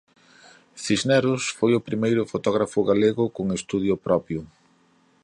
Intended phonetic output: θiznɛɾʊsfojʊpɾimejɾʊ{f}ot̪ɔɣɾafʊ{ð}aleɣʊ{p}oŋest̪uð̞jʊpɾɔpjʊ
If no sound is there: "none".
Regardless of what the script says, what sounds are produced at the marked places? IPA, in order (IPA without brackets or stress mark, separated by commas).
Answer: f, ɣ, k